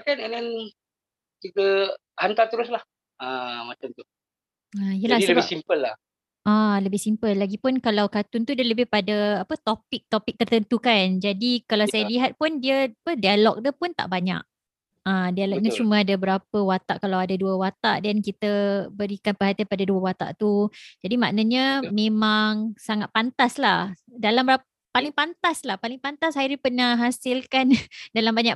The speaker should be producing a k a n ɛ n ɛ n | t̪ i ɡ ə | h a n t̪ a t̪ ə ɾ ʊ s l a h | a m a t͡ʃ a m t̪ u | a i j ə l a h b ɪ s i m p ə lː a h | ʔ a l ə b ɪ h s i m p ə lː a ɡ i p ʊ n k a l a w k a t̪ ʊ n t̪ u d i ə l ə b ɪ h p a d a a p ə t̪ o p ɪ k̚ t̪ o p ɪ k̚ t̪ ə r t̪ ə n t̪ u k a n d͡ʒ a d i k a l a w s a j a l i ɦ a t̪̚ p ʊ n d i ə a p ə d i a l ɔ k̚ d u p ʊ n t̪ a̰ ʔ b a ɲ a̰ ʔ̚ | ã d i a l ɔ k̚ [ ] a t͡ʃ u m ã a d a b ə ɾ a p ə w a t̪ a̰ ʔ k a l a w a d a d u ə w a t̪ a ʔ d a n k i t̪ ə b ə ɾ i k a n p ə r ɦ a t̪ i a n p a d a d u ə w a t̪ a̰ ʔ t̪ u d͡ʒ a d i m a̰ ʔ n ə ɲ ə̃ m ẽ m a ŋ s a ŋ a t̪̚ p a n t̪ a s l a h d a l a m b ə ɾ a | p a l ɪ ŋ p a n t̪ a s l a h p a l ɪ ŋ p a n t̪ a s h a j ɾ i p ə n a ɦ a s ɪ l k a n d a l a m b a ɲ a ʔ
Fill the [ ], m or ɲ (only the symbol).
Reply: ɲ